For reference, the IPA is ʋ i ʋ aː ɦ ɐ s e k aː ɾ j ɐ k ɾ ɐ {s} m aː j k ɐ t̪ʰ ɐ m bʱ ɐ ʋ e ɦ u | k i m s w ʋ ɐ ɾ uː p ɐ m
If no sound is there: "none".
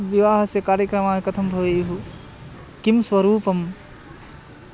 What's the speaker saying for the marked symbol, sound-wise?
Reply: none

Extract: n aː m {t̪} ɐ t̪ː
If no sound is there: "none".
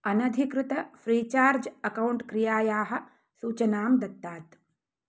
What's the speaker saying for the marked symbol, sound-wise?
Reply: d̪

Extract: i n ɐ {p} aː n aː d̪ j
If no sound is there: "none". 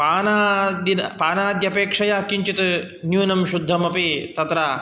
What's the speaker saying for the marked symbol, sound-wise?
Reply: p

